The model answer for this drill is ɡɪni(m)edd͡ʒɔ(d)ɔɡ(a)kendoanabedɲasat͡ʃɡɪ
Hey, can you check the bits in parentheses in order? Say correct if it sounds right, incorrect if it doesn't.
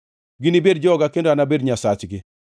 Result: incorrect, incorrect, correct

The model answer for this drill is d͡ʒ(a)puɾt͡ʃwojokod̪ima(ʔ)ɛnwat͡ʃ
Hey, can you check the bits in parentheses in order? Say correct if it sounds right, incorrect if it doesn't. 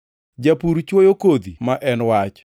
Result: correct, correct

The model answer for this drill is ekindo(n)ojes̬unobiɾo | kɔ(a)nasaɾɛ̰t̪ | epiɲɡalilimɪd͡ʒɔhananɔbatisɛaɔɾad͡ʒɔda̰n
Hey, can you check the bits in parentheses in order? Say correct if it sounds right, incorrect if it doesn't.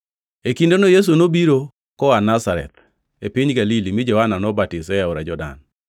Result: correct, correct

